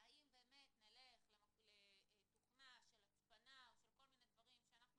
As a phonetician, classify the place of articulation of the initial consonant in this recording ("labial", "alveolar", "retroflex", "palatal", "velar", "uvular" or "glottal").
labial